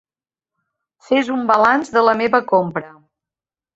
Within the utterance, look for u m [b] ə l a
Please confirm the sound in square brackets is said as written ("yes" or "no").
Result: yes